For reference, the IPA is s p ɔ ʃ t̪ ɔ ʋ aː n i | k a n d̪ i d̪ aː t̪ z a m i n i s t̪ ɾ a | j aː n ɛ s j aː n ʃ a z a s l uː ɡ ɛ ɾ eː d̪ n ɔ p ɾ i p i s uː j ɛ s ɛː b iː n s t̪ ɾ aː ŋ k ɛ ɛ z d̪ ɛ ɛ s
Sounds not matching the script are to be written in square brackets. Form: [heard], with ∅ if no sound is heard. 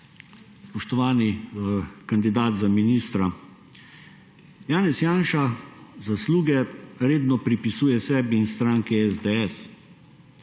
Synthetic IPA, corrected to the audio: s p ɔ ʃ t̪ ɔ ʋ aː n i | k a n d̪ i d̪ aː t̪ z a m i n i s t̪ ɾ a | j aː n ɛ s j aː n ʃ a z a s l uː ɡ ɛ ɾ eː d̪ n ɔ p ɾ i p i s uː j ɛ s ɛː b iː n s t̪ ɾ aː ŋ k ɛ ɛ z d̪ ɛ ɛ s

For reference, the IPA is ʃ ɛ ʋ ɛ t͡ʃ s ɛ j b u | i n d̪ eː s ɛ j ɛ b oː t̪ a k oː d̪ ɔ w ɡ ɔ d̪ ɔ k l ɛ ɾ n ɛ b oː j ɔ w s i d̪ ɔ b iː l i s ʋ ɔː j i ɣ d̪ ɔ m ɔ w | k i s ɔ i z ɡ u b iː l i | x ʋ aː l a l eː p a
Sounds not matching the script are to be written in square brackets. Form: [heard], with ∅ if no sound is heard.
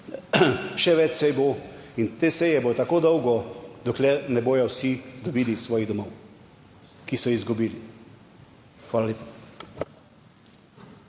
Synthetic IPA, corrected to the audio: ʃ ɛ ʋ ɛ t͡ʃ s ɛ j b [o] | i n [t̪] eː s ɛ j ɛ b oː t̪ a k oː d̪ ɔ w ɡ ɔ d̪ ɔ k l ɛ ɾ n ɛ b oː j ɔ w s i d̪ ɔ b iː l i s ʋ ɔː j i ɣ d̪ ɔ m ɔ w | k i s ɔ i z ɡ u b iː l i | x ʋ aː l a l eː p a

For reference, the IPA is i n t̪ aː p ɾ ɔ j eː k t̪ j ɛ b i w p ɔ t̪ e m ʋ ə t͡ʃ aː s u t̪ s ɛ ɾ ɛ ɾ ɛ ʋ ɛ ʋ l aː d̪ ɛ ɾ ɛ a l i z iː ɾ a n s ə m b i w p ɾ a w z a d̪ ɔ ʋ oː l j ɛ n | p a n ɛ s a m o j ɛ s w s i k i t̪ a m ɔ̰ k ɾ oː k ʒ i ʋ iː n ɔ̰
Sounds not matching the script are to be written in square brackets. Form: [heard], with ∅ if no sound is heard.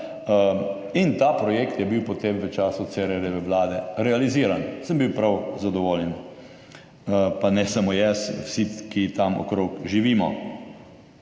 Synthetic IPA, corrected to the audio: i n t̪ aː p ɾ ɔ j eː k t̪ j ɛ b i w p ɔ t̪ e m ʋ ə t͡ʃ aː s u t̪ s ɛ ɾ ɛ ɾ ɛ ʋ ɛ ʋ l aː d̪ ɛ ɾ ɛ a l i z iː ɾ a n s ə m b i w p ɾ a w z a d̪ ɔ ʋ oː l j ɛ n | p a n ɛ s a m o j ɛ s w s i k i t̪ a m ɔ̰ k ɾ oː k ʒ i ʋ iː [m] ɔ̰

